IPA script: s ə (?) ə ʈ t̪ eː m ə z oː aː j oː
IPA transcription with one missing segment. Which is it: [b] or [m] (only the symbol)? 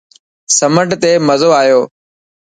m